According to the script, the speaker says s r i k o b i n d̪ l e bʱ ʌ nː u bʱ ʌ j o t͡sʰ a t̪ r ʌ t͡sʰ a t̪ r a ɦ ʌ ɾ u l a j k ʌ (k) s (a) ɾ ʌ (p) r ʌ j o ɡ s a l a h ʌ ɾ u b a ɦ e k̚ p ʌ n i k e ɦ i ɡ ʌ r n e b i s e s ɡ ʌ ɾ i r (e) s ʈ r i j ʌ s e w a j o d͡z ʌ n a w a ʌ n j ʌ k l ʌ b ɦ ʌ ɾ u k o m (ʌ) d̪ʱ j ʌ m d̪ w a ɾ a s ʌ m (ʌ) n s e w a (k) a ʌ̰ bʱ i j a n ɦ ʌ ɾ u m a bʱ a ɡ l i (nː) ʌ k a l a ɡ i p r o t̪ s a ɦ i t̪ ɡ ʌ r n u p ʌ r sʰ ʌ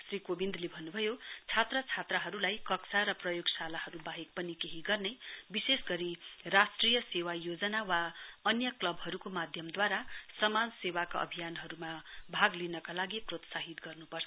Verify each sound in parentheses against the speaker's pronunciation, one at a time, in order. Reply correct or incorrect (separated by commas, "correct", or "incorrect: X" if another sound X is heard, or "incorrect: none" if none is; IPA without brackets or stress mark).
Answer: correct, correct, correct, incorrect: a, incorrect: a, incorrect: a, correct, incorrect: n